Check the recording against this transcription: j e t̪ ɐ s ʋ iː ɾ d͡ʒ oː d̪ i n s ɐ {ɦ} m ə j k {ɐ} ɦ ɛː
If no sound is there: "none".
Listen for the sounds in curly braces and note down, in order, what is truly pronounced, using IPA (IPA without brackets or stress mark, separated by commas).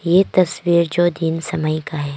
none, a